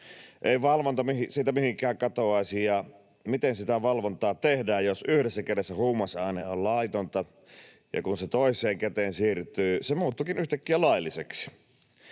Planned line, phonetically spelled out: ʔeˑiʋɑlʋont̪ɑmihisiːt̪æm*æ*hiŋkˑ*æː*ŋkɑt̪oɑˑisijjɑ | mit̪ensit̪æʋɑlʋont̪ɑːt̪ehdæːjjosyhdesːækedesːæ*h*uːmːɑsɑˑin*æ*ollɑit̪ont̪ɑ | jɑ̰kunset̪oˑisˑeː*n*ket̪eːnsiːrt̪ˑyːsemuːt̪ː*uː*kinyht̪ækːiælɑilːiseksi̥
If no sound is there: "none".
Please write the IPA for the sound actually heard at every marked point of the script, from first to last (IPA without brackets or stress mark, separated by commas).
i, æː, h, e, ŋ, u